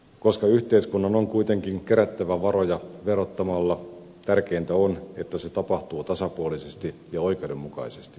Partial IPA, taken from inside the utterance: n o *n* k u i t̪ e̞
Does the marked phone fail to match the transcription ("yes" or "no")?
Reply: yes